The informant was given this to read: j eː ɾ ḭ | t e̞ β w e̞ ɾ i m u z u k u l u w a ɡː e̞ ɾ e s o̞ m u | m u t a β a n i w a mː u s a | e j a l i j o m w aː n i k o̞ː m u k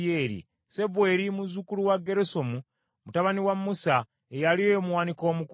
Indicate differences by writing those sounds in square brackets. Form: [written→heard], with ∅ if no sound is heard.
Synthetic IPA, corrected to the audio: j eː ɾ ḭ | [t→s] e̞ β w e̞ ɾ i m u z u k u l u w a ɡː e̞ ɾ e s o̞ m u | m u t a β a n i w a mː u s a | e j a l i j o m w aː n i k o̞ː m u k